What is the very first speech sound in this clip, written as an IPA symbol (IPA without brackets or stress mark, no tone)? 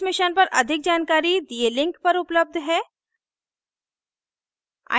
m